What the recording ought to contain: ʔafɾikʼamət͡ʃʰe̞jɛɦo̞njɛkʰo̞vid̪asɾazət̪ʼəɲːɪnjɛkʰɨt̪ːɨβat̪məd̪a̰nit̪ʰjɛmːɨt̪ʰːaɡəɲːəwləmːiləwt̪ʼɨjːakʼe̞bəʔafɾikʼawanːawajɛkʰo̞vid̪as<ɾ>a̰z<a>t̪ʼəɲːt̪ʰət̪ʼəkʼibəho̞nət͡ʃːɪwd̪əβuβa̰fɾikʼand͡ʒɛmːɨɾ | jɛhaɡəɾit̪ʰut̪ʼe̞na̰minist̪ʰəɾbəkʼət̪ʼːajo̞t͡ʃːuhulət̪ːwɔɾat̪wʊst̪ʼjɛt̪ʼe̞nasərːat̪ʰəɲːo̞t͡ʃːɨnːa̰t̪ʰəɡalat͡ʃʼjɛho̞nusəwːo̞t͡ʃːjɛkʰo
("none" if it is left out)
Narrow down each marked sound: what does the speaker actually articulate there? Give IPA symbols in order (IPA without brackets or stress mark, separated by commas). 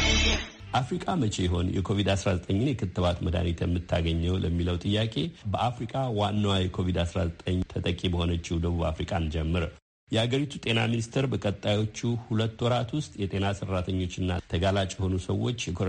ɾ, ə